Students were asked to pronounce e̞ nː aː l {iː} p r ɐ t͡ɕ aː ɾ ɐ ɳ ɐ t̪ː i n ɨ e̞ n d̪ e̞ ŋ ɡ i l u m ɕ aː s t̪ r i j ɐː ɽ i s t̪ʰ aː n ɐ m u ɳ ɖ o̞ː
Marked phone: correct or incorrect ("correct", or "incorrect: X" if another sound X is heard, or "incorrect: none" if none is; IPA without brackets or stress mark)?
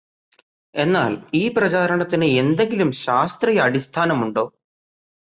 correct